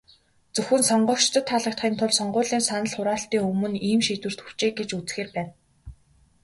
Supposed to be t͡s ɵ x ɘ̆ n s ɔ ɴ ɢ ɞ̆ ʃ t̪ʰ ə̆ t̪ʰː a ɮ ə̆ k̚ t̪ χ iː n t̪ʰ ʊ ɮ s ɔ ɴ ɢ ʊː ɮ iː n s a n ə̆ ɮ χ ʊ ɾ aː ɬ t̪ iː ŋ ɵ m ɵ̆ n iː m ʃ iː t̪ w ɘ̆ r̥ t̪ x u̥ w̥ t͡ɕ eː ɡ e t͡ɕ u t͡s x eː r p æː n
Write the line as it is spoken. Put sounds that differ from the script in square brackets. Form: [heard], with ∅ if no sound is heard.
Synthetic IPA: t͡s ɵ x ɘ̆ n s ɔ ɴ ɢ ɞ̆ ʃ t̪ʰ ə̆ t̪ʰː a ɮ ə̆ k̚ t̪ χ iː n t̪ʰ ʊ ɮ s ɔ ɴ ɢ ʊː ɮ iː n s a n ə̆ ɮ χ ʊ ɾ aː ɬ t̪ iː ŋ ɵ m ɵ̆ n iː m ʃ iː t̪ w ɘ̆ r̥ t̪ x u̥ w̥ t͡ɕ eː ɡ e t͡ɕ u t͡s x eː r p æː n